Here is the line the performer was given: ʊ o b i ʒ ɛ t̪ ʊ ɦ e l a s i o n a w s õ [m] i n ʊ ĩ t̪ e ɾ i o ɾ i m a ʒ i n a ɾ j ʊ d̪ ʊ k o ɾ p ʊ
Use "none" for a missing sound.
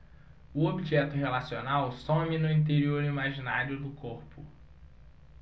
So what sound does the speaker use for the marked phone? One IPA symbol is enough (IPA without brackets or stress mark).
m